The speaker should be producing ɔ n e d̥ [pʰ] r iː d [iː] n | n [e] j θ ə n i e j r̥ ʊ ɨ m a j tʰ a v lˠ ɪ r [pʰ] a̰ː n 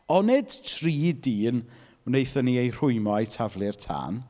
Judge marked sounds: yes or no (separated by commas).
no, yes, yes, no